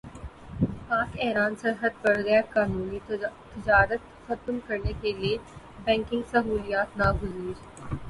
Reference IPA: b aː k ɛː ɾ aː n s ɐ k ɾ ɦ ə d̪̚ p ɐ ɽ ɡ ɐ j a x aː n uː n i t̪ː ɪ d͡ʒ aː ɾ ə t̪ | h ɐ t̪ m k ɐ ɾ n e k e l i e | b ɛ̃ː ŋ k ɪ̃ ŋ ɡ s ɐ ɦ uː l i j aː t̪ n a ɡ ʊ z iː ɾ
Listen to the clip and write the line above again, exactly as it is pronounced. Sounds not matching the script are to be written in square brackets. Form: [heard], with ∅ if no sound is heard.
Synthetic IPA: [p] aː k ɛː ɾ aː n s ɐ [∅] ɾ ɦ ə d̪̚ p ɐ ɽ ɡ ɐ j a [k] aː n uː n i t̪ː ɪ d͡ʒ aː ɾ ə t̪ | [x] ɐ t̪ m k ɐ ɾ n e k e l i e | b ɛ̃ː ŋ k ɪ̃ ŋ ɡ s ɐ ɦ uː l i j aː t̪ n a ɡ ʊ z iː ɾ

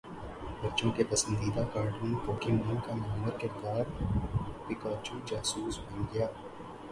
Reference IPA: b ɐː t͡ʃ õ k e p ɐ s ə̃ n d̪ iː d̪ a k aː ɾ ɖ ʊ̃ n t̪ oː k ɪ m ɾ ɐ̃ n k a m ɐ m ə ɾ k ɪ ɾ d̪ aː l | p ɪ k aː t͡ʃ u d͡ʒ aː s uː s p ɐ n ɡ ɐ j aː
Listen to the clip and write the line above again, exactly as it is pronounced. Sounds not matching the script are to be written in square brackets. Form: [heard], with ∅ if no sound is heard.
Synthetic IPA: b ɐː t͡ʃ õ k e p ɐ s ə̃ n d̪ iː d̪ a k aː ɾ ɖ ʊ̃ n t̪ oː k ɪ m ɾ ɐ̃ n k a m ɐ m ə ɾ k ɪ ɾ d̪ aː [ɾ] | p ɪ k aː t͡ʃ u d͡ʒ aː s uː s [b] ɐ n ɡ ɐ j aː

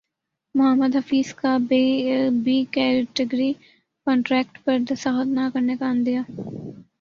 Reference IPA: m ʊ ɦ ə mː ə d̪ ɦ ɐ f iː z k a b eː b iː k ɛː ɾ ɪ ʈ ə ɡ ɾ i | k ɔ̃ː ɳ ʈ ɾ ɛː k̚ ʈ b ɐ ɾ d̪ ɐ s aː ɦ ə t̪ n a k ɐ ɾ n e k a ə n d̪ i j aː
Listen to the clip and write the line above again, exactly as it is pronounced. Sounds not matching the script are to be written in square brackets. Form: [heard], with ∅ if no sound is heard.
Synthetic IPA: m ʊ ɦ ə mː ə d̪ ɦ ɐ f iː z k a b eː b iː k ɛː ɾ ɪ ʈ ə ɡ ɾ i | k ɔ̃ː ɳ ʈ ɾ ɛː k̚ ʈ [p] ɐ ɾ d̪ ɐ s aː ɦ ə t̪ n a k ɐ ɾ n e k a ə n d̪ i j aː

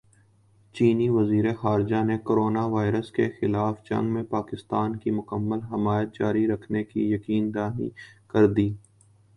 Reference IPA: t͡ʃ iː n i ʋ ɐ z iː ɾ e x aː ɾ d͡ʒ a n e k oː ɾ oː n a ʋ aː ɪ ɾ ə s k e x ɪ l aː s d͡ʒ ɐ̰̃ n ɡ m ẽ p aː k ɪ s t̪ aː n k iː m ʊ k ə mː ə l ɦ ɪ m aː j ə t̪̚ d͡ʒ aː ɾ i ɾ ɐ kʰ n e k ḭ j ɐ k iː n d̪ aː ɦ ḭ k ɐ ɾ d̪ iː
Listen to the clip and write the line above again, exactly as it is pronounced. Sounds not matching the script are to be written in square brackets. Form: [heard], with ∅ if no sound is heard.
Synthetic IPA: t͡ʃ iː n i ʋ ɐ z iː ɾ e x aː ɾ d͡ʒ a n e k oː ɾ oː n a ʋ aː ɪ ɾ ə s k e x ɪ l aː [f] d͡ʒ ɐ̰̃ [ŋ] ɡ m ẽ p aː k ɪ s t̪ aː n k [i] m ʊ k ə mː ə l ɦ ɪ m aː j ə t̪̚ d͡ʒ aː ɾ i ɾ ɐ kʰ n e k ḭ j ɐ k iː n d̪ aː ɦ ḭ k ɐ ɾ d̪ iː

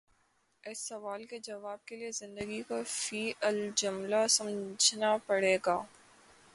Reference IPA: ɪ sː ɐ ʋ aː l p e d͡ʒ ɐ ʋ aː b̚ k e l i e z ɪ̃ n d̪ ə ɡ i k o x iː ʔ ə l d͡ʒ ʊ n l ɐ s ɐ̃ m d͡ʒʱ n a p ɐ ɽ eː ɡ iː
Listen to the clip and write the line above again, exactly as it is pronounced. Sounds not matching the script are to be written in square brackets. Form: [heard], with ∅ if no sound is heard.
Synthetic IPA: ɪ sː ɐ ʋ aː l [k] e d͡ʒ ɐ ʋ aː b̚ k e l i e z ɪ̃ n d̪ ə ɡ i k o [f] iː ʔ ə l d͡ʒ ʊ [m] l [a] s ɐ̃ m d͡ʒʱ n a p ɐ ɽ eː ɡ [aː]

